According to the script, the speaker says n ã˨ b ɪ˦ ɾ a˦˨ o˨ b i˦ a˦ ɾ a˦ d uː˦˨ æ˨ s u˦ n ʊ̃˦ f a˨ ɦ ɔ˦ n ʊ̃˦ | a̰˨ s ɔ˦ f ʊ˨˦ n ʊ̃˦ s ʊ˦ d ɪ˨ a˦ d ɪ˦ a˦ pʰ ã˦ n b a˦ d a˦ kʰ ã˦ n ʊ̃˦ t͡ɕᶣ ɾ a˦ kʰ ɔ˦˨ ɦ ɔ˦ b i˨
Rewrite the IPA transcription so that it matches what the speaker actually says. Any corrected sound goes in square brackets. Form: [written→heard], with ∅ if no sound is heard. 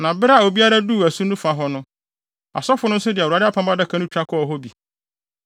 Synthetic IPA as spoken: n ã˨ b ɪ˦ ɾ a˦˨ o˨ b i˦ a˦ ɾ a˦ d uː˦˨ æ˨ s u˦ n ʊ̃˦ f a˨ ɦ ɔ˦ n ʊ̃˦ | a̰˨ s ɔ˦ f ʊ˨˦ n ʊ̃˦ s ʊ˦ d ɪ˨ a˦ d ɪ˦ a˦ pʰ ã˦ [n→m] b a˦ d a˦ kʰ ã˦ n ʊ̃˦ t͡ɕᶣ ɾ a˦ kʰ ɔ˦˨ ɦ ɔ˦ b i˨

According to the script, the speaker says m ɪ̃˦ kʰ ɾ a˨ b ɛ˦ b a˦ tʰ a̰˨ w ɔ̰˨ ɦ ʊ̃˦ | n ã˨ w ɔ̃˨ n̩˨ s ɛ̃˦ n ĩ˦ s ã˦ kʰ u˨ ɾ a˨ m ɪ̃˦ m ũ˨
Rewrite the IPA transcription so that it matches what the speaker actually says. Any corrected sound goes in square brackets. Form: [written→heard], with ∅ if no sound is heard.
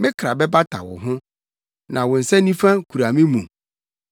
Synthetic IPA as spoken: m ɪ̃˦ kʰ ɾ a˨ b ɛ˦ b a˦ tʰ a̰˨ w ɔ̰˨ ɦ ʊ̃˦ | n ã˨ w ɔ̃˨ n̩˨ s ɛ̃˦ n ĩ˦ [s→f] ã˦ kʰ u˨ ɾ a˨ m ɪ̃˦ m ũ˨

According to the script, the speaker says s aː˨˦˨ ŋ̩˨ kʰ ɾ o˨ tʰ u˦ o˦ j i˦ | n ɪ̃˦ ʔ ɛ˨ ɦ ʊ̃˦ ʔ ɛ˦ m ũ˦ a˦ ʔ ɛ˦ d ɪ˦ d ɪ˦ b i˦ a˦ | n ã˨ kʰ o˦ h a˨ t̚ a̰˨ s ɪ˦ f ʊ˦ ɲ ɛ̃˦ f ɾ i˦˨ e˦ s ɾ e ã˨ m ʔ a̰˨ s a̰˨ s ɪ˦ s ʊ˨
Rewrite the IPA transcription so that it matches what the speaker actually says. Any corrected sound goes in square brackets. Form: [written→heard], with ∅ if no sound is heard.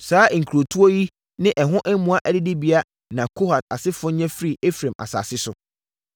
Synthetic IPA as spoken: s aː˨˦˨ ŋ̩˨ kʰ ɾ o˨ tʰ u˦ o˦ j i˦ | n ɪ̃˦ ʔ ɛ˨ ɦ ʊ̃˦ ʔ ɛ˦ m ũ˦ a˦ ʔ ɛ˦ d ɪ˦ d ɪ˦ b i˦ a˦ | n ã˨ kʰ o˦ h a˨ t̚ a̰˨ s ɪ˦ f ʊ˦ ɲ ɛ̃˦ f ɾ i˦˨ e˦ [s→f] ɾ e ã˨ m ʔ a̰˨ s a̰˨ s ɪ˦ s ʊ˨

